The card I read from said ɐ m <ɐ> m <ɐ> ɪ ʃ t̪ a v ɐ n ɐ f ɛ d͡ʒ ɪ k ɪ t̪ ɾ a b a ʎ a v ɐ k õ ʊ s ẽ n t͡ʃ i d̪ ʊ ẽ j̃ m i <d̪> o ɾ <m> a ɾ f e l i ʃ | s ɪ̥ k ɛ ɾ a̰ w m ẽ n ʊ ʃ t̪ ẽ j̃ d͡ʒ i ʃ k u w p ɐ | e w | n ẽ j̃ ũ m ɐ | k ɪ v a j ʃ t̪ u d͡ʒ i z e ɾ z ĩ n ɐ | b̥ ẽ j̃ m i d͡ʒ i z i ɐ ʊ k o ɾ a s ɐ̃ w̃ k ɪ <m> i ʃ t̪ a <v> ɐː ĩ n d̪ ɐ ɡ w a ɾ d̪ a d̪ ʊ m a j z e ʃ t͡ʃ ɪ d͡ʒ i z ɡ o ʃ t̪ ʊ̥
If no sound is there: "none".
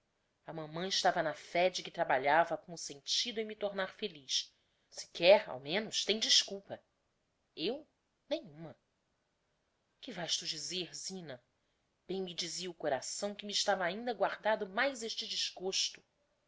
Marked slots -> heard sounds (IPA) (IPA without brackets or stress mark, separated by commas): ɐ̃, ɐ̃, t̪, n, m, v